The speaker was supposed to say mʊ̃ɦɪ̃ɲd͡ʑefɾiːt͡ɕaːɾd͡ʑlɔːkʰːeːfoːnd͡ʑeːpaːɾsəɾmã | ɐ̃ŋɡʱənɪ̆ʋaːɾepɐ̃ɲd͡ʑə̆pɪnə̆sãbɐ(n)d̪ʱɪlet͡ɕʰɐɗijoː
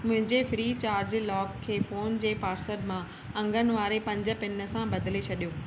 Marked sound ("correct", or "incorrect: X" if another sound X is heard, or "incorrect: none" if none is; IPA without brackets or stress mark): incorrect: none